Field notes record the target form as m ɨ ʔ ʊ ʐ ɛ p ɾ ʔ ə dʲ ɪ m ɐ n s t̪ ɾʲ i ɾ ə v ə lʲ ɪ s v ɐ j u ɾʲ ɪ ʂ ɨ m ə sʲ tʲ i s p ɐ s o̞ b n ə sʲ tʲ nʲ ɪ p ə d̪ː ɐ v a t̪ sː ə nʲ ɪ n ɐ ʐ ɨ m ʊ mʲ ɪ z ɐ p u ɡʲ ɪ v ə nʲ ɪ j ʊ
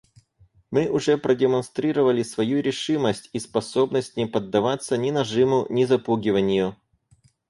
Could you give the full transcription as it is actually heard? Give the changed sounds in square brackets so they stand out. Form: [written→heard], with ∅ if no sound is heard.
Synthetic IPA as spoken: m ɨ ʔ ʊ ʐ ɛ p ɾ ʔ ə dʲ ɪ m ɐ n s t̪ ɾʲ i ɾ ə v ə lʲ ɪ s v ɐ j u ɾʲ ɪ ʂ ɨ m ə sʲ tʲ i s p ɐ s o̞ b n ə sʲ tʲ nʲ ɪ p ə d̪ː ɐ v a t̪ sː ə nʲ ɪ n ɐ ʐ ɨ m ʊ [mʲ→nʲ] ɪ z ɐ p u ɡʲ ɪ v ə nʲ ɪ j ʊ